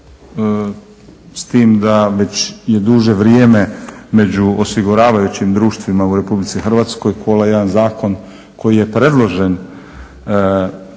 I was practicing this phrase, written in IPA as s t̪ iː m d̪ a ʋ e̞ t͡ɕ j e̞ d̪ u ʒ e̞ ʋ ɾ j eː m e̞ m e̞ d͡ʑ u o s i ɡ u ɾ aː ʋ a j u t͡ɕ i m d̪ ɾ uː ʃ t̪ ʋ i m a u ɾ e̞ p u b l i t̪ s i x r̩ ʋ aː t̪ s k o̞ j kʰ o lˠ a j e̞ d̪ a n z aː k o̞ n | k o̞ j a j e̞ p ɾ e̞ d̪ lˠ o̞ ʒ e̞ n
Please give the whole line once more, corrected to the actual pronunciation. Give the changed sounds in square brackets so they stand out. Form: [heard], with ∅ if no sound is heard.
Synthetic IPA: s t̪ iː m d̪ a ʋ e̞ t͡ɕ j e̞ d̪ u ʒ e̞ ʋ ɾ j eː m e̞ m e̞ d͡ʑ u o s i ɡ u ɾ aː ʋ a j u t͡ɕ i m d̪ ɾ uː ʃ t̪ ʋ i m a u ɾ e̞ p u b l i t̪ s i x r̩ ʋ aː t̪ s k o̞ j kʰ o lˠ a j e̞ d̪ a n z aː k o̞ n | k o̞ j [i] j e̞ p ɾ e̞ d̪ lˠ o̞ ʒ e̞ n